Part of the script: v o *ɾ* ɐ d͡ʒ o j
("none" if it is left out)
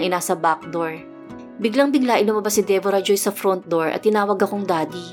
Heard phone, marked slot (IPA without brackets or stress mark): ɾ